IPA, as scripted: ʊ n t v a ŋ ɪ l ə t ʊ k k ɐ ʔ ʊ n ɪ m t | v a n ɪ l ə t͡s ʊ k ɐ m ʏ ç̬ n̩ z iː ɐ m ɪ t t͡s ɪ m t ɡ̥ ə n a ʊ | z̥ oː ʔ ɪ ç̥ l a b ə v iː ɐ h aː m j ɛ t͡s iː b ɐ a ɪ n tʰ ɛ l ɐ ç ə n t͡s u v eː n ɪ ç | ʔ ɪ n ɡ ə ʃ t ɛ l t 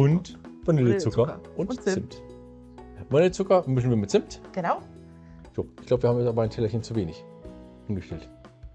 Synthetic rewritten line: ʊ n t v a n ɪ l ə t͡s ʊ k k ɐ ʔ ʊ n ɪ m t | v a n ɪ l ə t͡s ʊ k ɐ m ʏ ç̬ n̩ v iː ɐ m ɪ t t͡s ɪ m t ɡ̥ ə n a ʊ | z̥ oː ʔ ɪ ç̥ l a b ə v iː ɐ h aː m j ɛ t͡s aː b ɐ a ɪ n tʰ ɛ l ɐ ç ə n t͡s u v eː n ɪ ç | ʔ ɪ n ɡ ə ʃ t ɛ l t